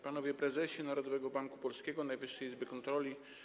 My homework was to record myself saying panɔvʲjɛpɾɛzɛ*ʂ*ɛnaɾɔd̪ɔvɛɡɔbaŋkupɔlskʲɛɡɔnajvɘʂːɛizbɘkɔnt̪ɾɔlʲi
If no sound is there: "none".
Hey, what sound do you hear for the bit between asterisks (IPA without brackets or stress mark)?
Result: ɕ